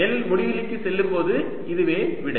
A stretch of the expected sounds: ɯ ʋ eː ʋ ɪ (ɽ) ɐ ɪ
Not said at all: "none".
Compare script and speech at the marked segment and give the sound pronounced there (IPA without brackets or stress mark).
ɽ